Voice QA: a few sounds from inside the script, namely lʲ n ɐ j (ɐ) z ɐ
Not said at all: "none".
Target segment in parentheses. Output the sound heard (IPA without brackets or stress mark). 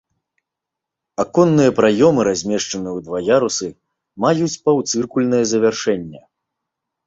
ɐ